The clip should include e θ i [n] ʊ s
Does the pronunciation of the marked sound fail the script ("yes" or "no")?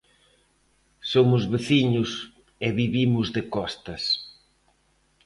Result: yes